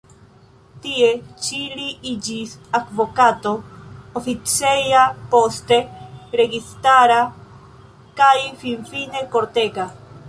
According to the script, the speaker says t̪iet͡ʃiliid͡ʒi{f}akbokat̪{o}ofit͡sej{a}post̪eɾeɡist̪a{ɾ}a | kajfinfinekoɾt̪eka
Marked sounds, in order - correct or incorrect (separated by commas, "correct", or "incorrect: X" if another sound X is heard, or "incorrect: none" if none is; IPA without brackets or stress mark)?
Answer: incorrect: s, correct, correct, correct